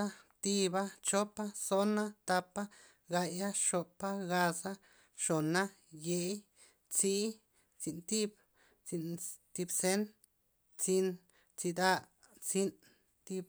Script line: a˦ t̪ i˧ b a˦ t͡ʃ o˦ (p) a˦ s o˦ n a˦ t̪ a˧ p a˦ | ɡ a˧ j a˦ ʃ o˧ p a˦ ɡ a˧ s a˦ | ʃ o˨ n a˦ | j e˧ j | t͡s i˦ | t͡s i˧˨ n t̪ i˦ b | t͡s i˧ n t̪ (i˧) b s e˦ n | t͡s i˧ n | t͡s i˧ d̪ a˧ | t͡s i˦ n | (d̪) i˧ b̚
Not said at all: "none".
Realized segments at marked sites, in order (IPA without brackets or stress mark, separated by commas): p, i˧, t̪